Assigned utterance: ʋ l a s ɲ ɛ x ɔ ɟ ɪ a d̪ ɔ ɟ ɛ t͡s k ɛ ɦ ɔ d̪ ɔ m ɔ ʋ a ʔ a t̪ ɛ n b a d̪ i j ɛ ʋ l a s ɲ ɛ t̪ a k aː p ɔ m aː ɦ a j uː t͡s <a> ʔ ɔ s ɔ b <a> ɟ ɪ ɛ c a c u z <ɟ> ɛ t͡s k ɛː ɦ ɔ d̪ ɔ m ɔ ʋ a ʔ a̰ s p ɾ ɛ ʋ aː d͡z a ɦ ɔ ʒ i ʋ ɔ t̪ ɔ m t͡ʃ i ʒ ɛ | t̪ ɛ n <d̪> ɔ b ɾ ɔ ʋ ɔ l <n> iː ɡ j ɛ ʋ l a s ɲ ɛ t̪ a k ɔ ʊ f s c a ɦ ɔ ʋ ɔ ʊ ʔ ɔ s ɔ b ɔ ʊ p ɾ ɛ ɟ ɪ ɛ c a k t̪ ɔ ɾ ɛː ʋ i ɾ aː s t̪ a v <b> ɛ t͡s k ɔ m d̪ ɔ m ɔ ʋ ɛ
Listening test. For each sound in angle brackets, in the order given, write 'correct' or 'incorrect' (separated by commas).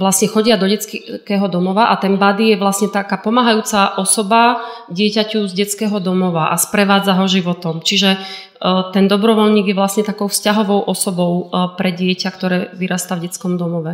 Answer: correct, correct, correct, correct, incorrect, incorrect